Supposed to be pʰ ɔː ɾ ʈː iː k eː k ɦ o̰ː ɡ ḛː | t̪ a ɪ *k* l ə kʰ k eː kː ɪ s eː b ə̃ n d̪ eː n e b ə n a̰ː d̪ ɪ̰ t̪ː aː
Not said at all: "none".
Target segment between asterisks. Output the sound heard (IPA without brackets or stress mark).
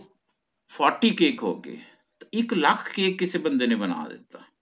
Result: k